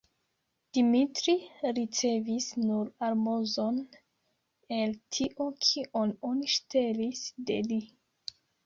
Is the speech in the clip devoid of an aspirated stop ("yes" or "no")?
no